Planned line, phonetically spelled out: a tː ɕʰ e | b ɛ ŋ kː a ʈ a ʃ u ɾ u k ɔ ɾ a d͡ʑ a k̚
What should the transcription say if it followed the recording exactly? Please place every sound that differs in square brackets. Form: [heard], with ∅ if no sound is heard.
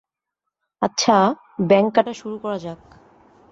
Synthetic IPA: a tː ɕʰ [a] | b ɛ ŋ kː a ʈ a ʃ u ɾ u k ɔ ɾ a d͡ʑ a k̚